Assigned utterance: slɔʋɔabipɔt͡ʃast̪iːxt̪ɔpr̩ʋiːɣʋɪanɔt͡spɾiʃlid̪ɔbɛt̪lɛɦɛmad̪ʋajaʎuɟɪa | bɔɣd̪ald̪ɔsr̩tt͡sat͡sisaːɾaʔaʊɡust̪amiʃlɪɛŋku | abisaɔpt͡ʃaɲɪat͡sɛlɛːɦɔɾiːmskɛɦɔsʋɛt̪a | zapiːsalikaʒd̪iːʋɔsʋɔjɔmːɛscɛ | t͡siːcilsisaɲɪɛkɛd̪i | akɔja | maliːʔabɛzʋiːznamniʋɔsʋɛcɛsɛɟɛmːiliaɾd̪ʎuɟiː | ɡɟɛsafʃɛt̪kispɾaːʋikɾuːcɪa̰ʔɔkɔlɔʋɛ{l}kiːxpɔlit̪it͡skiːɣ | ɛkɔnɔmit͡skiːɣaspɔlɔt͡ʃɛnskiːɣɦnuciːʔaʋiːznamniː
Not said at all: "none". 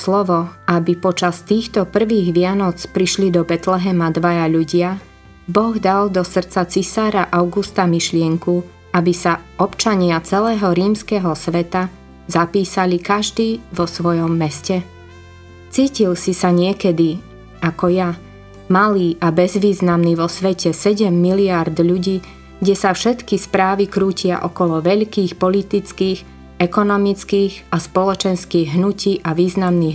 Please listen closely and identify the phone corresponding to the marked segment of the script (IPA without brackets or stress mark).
ʎ